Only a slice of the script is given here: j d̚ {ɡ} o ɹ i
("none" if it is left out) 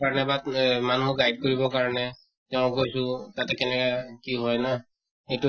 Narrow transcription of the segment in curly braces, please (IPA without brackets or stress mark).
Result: k